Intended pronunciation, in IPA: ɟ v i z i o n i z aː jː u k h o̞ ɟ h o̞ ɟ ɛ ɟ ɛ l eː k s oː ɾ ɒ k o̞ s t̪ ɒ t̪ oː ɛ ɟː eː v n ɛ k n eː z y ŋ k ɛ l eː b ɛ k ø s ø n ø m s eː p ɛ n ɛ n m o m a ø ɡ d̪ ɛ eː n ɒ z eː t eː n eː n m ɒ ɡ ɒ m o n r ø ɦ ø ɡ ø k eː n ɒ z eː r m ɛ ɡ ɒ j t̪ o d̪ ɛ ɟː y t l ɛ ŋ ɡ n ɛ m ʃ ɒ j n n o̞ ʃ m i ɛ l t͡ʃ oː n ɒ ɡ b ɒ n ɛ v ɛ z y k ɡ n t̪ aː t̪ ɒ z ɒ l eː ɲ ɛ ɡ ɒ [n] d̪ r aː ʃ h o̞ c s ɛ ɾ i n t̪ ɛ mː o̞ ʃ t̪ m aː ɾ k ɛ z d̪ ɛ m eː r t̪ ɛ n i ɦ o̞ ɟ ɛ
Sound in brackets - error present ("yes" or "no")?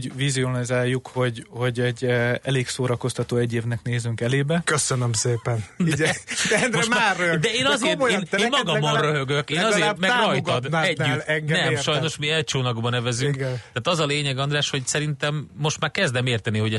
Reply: no